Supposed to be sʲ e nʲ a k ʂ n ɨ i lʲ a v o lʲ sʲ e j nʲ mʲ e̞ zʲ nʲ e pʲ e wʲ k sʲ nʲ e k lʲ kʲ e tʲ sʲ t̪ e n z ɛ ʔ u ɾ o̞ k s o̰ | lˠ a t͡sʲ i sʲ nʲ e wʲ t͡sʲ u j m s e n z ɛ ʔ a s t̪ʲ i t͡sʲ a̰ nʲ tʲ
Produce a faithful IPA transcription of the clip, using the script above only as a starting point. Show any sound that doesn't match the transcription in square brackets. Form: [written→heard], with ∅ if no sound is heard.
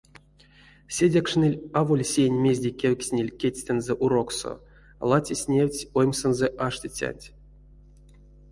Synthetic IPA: sʲ e [nʲ→dʲ] a k ʂ n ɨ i lʲ a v o lʲ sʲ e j nʲ mʲ e̞ zʲ [nʲ→dʲ] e [pʲ→kʲ] e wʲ k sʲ nʲ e [k→∅] lʲ kʲ e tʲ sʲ t̪ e n z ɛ ʔ u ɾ o̞ k s o̰ | lˠ a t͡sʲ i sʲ nʲ e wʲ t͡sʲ [u→o] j m s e n z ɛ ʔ a [s→ʂ] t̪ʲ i t͡sʲ a̰ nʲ tʲ